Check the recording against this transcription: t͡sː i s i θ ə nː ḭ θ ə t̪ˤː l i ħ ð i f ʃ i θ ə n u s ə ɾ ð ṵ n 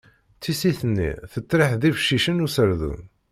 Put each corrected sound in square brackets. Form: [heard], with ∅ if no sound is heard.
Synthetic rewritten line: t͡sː i s i θ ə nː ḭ θ ə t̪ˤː [ɾ] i ħ ð i f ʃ i [ʃ] ə n u s ə ɾ ð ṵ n